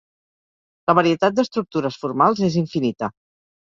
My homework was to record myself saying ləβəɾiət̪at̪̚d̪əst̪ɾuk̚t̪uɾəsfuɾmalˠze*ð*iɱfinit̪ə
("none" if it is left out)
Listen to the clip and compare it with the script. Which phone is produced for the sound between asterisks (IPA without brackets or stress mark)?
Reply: z